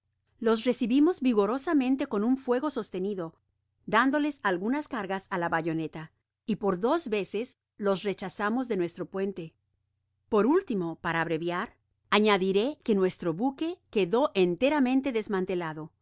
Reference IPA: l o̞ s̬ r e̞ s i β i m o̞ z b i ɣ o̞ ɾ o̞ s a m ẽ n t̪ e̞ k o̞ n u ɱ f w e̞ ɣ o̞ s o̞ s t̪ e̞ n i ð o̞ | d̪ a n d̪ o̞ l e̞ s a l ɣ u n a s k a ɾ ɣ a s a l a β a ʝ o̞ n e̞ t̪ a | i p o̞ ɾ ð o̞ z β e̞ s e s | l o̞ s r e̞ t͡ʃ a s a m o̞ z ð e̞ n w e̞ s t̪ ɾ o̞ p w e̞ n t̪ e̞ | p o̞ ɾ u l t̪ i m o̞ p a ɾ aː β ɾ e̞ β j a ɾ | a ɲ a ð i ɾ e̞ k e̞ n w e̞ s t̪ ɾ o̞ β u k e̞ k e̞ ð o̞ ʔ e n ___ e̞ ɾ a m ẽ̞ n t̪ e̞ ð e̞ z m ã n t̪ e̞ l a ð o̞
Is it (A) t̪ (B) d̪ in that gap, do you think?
A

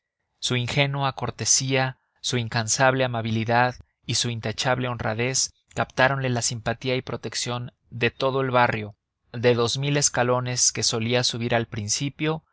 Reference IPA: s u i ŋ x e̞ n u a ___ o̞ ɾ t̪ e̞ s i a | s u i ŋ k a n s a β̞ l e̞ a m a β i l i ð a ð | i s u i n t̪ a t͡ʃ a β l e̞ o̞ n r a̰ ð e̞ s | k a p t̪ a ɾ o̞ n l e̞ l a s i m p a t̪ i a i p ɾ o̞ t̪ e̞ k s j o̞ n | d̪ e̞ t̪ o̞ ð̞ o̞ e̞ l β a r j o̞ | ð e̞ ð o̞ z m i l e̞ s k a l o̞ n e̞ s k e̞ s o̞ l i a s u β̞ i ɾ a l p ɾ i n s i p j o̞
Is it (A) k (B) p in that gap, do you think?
A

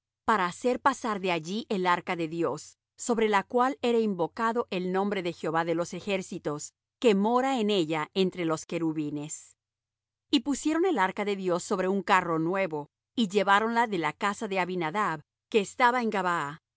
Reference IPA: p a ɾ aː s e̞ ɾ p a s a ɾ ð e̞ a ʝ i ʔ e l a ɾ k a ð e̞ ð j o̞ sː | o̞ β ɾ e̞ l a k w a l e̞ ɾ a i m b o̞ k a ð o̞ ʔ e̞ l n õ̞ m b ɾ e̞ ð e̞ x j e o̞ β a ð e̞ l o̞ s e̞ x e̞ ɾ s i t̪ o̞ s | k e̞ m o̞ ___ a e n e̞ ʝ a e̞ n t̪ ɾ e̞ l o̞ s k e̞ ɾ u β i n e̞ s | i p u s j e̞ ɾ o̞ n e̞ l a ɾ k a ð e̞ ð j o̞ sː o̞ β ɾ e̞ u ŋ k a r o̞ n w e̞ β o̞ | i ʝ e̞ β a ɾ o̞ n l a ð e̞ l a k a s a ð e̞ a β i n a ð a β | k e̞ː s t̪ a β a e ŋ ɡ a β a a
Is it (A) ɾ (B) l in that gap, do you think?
A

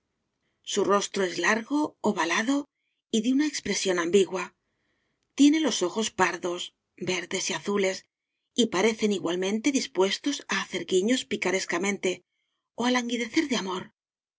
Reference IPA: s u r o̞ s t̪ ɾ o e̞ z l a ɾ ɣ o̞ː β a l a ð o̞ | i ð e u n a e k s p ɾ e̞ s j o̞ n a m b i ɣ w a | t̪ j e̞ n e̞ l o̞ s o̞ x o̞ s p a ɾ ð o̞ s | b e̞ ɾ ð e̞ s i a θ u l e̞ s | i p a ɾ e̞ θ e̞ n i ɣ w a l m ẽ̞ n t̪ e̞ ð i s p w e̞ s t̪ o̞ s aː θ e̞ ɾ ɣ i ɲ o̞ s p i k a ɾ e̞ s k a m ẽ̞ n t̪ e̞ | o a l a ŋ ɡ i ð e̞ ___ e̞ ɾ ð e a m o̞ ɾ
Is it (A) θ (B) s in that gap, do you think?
A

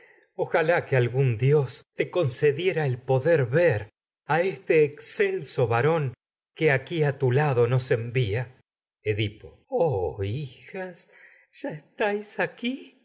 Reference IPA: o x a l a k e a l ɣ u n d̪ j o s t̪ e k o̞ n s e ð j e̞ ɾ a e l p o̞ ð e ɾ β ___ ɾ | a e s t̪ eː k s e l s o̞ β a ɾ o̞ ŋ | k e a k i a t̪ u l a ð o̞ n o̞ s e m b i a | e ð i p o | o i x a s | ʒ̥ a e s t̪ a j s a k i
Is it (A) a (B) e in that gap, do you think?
B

